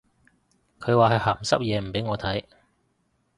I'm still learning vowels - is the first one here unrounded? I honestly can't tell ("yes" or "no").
no